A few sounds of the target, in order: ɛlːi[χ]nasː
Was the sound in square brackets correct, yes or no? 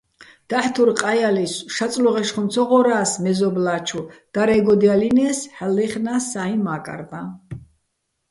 yes